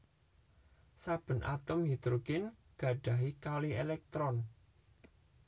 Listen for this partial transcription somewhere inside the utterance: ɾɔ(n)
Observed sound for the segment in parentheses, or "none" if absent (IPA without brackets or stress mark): n